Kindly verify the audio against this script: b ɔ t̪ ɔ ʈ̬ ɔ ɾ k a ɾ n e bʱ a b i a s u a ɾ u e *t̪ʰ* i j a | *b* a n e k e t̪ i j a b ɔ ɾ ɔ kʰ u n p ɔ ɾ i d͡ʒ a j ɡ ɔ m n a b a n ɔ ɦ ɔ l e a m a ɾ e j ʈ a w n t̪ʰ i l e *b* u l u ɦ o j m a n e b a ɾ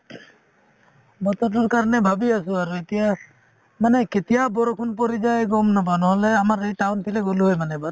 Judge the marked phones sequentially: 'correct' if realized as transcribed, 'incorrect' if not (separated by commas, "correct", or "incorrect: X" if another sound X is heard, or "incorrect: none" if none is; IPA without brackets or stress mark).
incorrect: t̪, incorrect: m, incorrect: ɡ